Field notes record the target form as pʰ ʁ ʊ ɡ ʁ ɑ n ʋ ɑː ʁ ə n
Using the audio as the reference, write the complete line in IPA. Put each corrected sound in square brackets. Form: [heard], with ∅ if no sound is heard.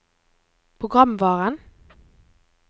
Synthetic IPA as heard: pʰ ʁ ʊ ɡ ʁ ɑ [m] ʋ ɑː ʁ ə n